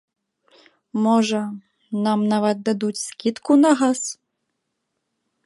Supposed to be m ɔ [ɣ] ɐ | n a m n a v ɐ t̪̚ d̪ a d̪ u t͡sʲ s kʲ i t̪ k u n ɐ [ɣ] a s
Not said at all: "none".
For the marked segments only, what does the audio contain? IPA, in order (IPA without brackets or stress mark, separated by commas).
ʐ, ɣ